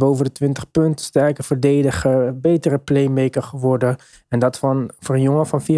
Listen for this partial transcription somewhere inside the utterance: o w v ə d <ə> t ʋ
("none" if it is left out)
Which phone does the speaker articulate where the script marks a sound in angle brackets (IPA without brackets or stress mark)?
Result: ə